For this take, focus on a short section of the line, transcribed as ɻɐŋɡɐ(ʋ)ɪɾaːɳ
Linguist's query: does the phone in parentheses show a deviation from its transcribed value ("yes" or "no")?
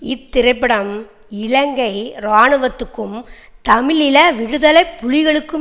yes